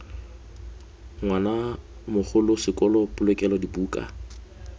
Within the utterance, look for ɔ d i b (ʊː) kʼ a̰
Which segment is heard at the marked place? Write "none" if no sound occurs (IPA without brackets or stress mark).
uː